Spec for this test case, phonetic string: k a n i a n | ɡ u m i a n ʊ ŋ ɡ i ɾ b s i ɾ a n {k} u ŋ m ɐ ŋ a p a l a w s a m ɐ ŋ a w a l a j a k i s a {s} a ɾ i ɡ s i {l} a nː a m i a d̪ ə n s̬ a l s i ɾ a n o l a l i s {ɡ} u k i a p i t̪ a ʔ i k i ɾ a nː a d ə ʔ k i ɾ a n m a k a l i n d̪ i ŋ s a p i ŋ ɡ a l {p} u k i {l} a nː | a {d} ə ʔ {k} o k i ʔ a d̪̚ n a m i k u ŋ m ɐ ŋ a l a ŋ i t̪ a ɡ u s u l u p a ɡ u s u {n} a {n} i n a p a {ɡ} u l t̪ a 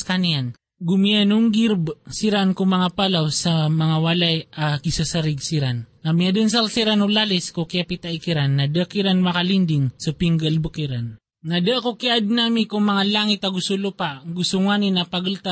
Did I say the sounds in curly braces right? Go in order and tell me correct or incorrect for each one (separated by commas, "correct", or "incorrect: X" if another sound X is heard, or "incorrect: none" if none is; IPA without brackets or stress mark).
correct, correct, incorrect: ɾ, incorrect: k, incorrect: b, incorrect: ɾ, correct, correct, incorrect: ŋ, correct, correct